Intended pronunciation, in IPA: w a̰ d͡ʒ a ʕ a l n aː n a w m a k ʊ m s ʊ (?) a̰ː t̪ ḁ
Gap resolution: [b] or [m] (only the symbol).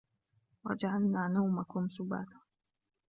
b